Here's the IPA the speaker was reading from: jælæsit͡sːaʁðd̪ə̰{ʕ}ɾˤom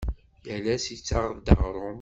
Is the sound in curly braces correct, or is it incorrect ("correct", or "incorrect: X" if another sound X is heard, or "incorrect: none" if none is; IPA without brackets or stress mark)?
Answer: incorrect: ʁ